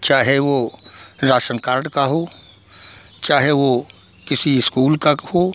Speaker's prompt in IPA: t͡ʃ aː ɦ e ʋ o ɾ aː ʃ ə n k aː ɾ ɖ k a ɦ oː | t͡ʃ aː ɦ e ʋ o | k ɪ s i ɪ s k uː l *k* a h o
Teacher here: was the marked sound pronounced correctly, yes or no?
yes